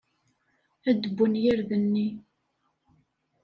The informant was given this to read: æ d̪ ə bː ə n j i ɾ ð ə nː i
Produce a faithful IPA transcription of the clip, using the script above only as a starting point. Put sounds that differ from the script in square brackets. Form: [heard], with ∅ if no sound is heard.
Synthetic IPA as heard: æ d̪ ə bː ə n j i ɾ ð ə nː i